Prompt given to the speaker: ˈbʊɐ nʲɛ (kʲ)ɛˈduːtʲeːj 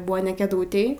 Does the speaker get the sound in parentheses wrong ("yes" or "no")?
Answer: no